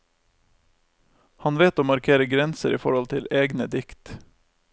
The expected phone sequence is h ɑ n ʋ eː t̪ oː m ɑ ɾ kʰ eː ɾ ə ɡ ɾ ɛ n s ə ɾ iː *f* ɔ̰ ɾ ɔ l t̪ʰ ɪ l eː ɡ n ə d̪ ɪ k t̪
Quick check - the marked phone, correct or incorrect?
correct